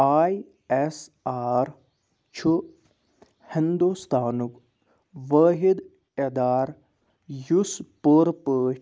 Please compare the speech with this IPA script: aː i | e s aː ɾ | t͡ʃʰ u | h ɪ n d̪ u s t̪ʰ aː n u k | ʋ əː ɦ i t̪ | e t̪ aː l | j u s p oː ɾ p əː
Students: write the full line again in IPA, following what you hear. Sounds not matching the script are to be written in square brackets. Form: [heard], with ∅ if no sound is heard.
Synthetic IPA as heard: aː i | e s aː ɾ | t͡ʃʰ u | h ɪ n d̪ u s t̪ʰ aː n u k | ʋ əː ɦ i [d̪] | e [d̪] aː [ɾ] | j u s p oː ɾ p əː